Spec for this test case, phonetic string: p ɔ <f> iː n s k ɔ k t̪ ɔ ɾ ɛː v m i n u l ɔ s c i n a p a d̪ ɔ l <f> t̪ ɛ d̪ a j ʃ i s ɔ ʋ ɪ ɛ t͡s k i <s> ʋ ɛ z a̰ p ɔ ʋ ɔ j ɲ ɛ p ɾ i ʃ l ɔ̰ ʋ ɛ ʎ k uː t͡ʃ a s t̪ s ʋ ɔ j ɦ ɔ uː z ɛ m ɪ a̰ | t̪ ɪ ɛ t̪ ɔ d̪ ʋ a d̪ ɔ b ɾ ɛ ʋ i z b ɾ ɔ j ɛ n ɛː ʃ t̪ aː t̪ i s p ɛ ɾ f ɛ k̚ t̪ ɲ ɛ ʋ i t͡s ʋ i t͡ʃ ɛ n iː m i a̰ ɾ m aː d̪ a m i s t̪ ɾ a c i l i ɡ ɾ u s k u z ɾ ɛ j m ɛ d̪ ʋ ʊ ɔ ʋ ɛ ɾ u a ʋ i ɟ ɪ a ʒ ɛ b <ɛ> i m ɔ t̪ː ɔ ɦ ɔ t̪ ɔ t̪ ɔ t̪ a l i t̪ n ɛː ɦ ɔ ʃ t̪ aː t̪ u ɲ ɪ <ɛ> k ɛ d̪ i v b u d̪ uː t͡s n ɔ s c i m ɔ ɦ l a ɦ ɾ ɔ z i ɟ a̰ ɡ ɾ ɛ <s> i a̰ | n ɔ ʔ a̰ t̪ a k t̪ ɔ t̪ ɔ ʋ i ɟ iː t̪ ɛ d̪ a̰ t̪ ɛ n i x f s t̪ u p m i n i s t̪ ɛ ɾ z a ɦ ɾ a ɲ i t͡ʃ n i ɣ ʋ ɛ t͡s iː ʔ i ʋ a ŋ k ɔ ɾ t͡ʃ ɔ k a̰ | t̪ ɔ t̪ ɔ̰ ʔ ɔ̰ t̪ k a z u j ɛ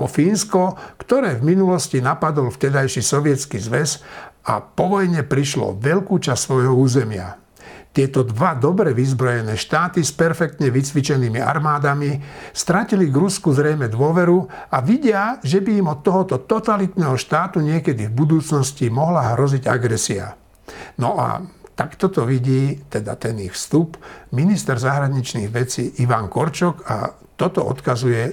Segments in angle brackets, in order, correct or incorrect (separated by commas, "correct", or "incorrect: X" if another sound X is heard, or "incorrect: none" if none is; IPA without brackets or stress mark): correct, correct, incorrect: z, incorrect: i, correct, correct